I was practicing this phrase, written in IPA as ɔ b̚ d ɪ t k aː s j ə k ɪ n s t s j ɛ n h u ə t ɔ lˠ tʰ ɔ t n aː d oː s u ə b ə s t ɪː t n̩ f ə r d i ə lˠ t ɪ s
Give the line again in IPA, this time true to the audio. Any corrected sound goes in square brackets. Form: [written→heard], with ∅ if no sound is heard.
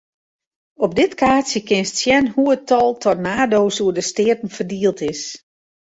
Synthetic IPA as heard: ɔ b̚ d ɪ t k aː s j ə k ɪ n s t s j ɛ n h u ə t ɔ lˠ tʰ ɔ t n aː d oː s u ə [b→d] ə s t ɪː t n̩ f ə r d i ə lˠ t ɪ s